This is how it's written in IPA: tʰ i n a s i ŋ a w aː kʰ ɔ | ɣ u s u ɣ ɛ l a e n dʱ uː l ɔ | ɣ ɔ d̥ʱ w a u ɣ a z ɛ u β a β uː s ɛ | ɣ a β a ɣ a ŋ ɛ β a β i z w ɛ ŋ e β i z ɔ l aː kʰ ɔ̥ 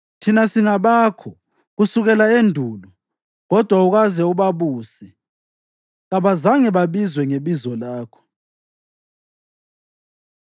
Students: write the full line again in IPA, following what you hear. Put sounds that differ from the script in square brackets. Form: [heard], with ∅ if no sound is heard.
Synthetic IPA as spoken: tʰ i n a s i ŋ a [β] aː kʰ ɔ | ɣ u s u ɣ ɛ l a e n dʱ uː l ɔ | ɣ ɔ d̥ʱ w a u ɣ a z ɛ u β a β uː s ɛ | ɣ a β a [z] a ŋ ɛ β a β i z w ɛ ŋ e β i z ɔ l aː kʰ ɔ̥